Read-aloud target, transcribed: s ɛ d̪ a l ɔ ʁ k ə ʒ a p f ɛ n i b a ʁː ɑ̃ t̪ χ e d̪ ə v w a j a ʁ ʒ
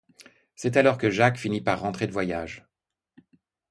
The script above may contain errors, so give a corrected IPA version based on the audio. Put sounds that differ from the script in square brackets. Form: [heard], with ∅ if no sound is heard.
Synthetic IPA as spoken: s ɛ [t̪] a l ɔ ʁ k ə ʒ a [k] f [i] n i [p] a ʁː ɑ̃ t̪ χ e d̪ ə v w a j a [∅] ʒ